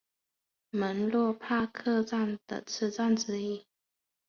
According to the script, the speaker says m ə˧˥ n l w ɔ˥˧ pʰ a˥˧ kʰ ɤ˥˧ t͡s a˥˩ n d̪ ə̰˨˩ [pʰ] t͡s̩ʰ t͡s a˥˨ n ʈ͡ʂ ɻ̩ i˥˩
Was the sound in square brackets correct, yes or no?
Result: no